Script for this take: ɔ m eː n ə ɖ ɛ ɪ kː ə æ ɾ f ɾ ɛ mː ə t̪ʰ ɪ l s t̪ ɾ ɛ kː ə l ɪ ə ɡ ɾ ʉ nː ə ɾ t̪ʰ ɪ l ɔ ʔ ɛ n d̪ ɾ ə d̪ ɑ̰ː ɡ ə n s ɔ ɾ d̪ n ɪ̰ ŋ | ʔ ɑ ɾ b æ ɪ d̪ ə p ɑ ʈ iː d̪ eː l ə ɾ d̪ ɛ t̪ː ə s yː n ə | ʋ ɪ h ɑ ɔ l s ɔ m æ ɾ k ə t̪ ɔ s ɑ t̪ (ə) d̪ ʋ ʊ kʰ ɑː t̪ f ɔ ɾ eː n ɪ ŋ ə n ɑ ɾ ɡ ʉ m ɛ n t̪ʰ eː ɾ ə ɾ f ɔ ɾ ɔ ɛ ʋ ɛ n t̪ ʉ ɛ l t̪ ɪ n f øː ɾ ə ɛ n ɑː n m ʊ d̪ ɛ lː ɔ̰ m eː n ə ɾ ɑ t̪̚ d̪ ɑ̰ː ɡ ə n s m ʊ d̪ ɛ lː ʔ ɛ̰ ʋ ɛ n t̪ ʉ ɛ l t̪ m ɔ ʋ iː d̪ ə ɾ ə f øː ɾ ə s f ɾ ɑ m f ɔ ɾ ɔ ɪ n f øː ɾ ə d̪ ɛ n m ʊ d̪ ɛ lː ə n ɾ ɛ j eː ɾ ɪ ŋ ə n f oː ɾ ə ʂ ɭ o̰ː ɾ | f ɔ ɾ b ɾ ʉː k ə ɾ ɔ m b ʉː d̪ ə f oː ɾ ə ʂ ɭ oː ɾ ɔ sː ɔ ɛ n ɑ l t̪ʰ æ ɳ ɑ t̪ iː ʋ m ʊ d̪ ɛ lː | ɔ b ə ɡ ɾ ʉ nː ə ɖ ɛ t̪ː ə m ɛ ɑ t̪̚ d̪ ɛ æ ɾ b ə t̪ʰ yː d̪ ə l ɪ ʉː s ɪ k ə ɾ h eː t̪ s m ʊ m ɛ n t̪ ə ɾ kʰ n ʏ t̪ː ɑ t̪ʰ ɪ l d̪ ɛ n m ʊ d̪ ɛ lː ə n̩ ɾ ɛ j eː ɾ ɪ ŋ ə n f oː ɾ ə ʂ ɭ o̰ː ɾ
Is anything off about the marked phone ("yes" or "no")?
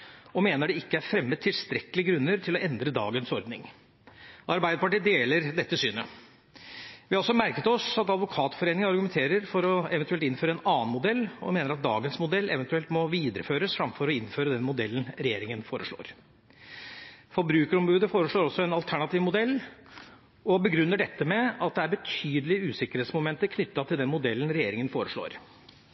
yes